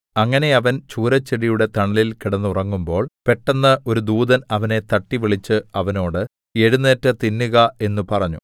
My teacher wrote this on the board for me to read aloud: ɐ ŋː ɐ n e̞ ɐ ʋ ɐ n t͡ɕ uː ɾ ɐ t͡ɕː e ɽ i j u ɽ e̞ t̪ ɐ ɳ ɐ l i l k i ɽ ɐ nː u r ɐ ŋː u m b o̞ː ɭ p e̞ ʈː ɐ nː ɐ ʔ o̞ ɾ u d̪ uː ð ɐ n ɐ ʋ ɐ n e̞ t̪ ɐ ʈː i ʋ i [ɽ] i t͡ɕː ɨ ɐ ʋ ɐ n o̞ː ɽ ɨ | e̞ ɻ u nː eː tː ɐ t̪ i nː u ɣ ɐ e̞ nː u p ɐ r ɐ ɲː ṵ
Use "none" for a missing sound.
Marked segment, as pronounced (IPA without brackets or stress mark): ɭ